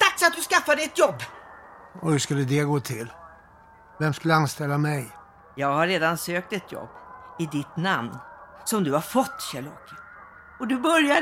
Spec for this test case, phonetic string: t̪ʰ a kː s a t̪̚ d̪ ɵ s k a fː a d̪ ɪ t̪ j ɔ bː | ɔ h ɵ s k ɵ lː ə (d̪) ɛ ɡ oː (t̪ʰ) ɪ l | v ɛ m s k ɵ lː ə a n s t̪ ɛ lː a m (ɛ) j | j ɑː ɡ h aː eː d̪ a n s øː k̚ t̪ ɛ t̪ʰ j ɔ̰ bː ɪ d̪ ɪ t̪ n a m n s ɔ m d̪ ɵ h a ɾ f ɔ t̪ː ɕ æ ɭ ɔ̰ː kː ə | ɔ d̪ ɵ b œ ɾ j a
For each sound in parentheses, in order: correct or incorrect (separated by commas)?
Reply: correct, correct, correct